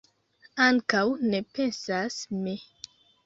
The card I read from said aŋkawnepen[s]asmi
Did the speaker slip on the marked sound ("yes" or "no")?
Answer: no